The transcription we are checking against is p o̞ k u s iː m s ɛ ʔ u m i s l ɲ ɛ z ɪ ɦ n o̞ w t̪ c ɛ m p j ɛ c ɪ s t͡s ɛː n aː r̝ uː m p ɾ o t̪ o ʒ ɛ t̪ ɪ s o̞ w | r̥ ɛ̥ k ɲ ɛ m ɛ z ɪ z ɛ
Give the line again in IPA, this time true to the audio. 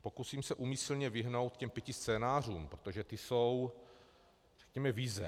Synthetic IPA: p o̞ k u s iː m s ɛ ʔ u m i s l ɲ ɛ v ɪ ɦ n o̞ w t̪ c ɛ m p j ɛ c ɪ s t͡s ɛː n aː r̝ uː m p ɾ o t̪ o ʒ ɛ t̪ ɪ s o̞ w | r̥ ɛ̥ k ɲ ɛ m ɛ v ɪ z ɛ